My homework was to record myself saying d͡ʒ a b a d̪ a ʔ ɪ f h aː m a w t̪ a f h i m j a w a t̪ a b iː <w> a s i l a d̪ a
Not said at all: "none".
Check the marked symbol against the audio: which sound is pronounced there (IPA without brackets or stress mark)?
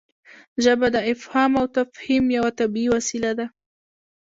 w